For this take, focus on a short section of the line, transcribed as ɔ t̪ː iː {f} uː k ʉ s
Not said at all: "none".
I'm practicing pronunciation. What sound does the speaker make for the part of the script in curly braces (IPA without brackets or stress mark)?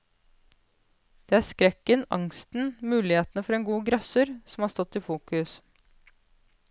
f